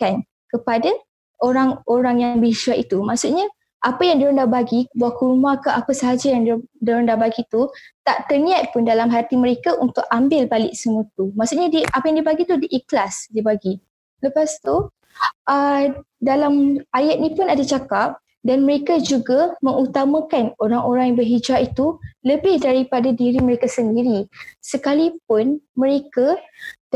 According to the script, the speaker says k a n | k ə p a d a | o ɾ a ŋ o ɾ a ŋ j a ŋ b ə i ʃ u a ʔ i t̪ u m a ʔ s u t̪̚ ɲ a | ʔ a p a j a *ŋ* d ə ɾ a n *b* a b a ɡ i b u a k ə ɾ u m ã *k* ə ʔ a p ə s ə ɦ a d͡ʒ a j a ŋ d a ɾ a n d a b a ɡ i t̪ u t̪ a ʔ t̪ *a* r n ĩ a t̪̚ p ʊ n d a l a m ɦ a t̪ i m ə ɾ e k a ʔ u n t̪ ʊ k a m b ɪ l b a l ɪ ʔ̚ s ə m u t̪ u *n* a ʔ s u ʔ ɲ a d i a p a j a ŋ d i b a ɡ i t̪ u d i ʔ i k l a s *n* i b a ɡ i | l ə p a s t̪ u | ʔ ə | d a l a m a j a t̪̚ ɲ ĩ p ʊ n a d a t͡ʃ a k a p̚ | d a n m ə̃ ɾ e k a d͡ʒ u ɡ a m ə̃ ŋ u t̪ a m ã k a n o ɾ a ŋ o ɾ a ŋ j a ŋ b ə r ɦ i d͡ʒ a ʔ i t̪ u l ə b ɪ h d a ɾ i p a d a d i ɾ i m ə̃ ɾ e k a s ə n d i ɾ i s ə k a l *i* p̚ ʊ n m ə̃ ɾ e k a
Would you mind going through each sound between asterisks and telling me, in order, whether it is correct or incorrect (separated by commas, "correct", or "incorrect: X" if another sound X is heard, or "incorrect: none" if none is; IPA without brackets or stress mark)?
correct, incorrect: d, correct, incorrect: ə, incorrect: m, incorrect: d, correct